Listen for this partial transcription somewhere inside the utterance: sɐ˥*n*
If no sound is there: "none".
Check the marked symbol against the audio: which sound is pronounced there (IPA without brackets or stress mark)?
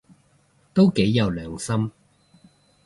m